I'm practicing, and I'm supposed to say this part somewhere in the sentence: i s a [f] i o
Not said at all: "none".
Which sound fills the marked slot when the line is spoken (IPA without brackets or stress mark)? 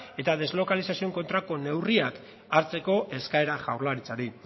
s